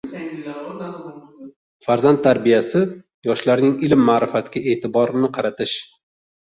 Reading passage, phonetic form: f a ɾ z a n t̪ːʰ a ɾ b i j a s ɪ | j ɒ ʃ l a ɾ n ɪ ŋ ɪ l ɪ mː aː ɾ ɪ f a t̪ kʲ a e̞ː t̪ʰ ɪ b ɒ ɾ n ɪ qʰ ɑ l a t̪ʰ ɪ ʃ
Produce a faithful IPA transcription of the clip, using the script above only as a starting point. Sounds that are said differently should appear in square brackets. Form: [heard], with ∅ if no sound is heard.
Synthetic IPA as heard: f a ɾ z a n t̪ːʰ a ɾ b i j a s ɪ | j ɒ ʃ l a ɾ n ɪ ŋ ɪ l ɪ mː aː ɾ ɪ f a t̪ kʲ a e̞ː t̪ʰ ɪ b ɒ ɾ n ɪ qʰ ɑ [ɾ] a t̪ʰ ɪ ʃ